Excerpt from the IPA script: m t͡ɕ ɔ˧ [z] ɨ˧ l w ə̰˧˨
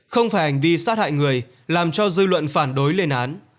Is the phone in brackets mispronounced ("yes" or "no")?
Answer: no